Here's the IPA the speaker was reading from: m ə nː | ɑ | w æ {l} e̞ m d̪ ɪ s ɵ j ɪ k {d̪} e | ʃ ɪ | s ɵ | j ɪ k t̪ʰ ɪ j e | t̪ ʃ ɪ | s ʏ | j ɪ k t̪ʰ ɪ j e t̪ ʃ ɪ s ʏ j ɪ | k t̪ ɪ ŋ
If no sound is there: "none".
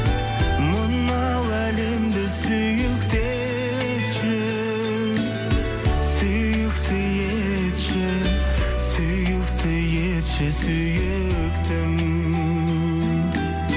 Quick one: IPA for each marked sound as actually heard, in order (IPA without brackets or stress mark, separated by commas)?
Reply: l, t̪